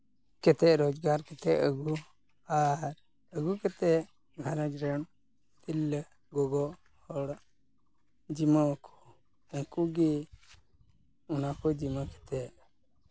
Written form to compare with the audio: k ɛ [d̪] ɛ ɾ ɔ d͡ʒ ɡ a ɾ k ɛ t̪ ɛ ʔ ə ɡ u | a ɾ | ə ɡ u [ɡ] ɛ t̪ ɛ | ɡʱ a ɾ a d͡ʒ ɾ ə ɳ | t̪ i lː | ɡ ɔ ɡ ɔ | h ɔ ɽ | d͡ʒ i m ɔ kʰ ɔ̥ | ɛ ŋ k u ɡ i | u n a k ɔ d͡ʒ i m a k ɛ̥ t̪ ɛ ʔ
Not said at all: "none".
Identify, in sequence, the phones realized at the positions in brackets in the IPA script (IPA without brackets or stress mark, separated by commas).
t̪, k